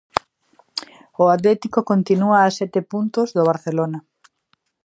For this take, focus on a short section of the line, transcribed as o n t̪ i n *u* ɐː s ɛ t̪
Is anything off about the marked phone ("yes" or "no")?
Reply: no